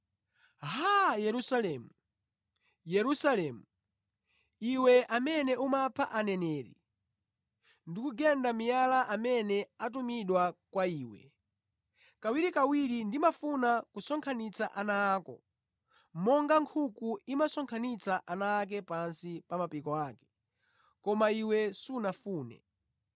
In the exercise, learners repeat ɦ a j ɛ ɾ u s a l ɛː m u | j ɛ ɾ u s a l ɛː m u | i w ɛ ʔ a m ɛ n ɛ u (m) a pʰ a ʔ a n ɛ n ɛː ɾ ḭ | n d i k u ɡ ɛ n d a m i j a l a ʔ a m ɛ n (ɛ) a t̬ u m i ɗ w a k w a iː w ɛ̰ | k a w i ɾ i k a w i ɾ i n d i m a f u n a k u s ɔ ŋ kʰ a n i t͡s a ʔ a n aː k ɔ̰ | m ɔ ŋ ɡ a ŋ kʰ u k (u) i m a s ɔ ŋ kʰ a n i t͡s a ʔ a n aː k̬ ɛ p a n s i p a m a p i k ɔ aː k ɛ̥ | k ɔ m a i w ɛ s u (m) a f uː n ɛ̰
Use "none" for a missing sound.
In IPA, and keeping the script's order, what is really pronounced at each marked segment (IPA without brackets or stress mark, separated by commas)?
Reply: m, ɛ, u, n